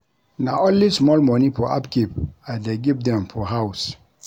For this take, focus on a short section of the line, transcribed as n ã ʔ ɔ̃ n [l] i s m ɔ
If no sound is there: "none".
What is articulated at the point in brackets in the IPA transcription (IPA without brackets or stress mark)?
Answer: l